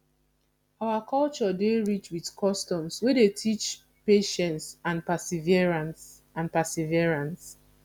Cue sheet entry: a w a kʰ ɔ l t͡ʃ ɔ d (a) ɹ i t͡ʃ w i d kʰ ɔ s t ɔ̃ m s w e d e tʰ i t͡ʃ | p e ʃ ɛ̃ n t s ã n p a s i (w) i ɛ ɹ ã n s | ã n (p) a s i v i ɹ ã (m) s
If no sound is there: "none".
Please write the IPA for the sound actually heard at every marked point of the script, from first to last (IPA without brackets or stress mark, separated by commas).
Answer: e, v, p, n